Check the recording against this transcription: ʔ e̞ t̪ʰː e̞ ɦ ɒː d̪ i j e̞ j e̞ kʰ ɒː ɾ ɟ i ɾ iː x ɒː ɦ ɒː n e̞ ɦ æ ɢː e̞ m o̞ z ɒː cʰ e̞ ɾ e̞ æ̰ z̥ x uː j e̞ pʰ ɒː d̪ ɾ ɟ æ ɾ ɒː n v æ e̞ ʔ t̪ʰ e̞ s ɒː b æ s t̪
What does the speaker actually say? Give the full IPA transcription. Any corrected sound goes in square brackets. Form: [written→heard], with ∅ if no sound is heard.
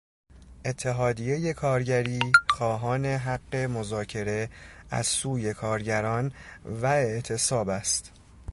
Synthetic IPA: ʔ e̞ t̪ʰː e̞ ɦ ɒː d̪ i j e̞ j e̞ kʰ ɒː ɾ ɟ [i→æ] ɾ iː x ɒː ɦ ɒː n e̞ ɦ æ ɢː e̞ m o̞ z ɒː cʰ e̞ ɾ e̞ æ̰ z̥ [x→s] uː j e̞ [pʰ→kʰ] ɒː [d̪→∅] ɾ ɟ æ ɾ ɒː n v æ e̞ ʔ t̪ʰ e̞ s ɒː b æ s t̪